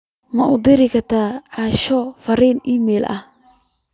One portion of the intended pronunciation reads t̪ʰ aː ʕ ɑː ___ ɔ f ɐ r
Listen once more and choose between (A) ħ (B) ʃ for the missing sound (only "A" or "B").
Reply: B